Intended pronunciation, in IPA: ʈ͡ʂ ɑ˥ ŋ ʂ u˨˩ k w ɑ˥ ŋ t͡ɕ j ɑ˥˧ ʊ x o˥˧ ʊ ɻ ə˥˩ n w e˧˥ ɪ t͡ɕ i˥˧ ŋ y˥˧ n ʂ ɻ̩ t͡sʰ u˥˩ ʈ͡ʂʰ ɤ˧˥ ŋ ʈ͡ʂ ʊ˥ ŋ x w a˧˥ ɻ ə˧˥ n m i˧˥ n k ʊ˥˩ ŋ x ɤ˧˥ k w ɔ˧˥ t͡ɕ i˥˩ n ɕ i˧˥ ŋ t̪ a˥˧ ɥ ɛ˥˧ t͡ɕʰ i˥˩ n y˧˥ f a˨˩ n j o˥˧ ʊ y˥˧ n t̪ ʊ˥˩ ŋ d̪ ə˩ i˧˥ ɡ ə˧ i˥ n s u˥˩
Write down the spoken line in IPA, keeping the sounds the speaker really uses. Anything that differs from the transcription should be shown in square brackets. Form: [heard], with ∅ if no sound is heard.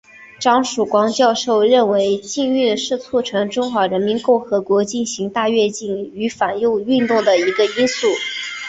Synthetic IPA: ʈ͡ʂ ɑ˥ ŋ ʂ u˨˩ k w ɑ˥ ŋ t͡ɕ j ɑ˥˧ ʊ [ʂ] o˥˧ ʊ ɻ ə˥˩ n w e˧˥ ɪ t͡ɕ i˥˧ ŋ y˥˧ n ʂ ɻ̩ t͡sʰ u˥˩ ʈ͡ʂʰ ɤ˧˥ ŋ ʈ͡ʂ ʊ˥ ŋ x w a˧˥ ɻ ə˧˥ n m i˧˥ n k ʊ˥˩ ŋ x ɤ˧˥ k w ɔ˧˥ t͡ɕ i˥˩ n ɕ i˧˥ ŋ t̪ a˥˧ ɥ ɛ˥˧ [t͡ɕ] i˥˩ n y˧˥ f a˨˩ n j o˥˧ ʊ y˥˧ n t̪ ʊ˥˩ ŋ d̪ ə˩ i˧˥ ɡ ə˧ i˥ n s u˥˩